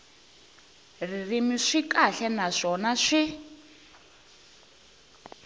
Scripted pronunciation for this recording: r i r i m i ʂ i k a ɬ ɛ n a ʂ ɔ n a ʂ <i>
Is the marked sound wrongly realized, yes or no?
no